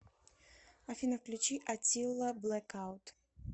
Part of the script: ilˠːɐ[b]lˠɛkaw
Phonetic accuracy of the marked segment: correct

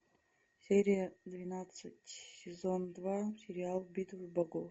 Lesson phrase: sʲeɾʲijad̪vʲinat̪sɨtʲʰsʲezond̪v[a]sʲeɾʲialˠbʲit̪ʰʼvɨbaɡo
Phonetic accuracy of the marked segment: correct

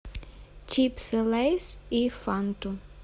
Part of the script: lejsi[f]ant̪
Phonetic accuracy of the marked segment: correct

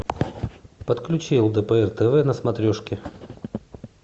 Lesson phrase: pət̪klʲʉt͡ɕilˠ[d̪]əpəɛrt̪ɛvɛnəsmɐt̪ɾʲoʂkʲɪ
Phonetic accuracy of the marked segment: correct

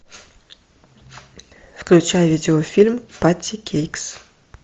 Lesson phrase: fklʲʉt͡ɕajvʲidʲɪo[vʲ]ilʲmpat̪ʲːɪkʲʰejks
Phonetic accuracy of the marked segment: incorrect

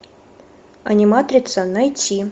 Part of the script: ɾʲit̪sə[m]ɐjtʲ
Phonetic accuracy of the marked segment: incorrect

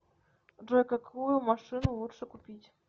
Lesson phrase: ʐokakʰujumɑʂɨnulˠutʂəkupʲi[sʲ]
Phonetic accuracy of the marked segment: incorrect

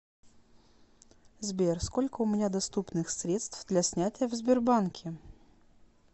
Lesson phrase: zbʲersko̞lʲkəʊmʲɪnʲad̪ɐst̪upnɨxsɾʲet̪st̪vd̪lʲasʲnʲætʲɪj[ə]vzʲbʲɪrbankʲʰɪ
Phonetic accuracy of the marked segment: correct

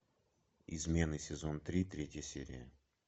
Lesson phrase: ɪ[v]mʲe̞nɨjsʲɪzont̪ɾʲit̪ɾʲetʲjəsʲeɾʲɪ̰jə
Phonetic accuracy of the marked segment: incorrect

